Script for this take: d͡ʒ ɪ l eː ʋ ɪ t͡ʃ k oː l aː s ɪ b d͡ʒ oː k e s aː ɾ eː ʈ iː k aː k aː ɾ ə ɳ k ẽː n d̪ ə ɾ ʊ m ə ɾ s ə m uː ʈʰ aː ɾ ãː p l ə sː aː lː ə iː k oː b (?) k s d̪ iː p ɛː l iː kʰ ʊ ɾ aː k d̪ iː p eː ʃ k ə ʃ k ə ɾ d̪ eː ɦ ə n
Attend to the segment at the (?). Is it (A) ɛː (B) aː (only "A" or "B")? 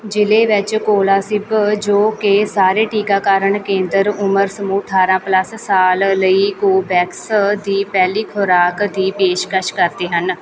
A